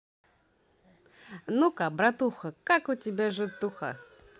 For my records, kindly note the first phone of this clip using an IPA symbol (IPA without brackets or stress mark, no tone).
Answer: n